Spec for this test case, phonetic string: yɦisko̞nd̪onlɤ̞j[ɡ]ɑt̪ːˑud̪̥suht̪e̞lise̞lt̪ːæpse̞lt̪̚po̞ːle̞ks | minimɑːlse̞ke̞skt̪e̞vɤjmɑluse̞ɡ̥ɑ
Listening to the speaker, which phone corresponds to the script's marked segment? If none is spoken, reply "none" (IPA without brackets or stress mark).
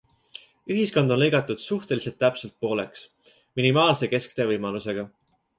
ɡ